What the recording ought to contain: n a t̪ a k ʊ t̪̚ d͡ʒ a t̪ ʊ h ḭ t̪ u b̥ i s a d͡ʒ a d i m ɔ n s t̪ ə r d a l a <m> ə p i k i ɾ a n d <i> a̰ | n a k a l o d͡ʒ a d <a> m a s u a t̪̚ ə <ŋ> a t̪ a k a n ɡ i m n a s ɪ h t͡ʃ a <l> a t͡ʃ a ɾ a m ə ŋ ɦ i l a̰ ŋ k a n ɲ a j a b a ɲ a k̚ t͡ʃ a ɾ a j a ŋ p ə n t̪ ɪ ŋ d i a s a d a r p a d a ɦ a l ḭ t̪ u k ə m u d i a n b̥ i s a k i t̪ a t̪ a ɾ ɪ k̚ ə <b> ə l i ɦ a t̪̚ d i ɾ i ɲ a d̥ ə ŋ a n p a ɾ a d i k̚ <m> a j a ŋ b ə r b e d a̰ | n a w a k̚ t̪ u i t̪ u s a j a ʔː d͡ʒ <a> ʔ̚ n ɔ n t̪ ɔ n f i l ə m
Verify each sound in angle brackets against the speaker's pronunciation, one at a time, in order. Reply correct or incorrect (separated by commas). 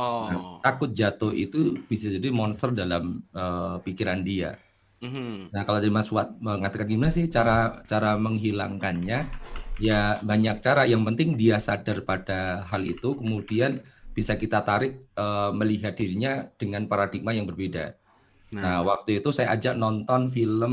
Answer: correct, correct, incorrect, correct, incorrect, incorrect, correct, correct